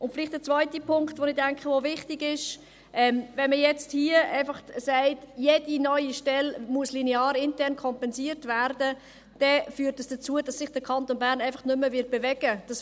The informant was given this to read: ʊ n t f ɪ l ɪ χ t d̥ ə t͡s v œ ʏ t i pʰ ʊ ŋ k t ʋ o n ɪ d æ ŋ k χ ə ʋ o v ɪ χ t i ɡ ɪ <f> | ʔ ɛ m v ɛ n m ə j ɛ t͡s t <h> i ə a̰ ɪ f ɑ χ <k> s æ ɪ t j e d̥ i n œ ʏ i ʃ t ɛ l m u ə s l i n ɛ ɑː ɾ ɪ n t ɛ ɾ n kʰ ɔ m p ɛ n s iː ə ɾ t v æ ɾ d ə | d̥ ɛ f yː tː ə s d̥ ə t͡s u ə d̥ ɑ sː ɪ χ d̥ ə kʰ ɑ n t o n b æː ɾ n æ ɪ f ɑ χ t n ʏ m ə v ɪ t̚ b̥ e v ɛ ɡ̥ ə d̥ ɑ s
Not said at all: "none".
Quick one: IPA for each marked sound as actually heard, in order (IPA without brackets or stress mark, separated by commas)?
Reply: ʃ, h, t